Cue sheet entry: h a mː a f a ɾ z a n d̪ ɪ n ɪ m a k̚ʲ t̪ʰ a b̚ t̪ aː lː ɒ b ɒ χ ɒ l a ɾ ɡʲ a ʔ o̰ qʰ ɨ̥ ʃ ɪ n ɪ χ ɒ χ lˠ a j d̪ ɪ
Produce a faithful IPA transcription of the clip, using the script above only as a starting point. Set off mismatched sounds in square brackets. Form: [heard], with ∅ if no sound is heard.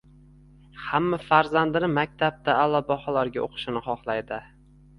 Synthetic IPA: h a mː a f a ɾ z a n d̪ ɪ n ɪ m a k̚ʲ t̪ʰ a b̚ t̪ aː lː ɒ b ɒ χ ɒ l a ɾ ɡʲ a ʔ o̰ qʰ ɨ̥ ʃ ɪ n ɪ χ ɒ χ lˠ a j d̪ ɪ